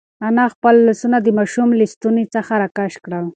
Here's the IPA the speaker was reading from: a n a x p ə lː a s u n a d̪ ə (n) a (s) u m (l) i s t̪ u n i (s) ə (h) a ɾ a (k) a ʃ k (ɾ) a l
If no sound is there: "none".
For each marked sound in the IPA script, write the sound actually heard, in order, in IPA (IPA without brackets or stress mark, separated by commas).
m, ʃ, l, t͡s, x, k, ɽ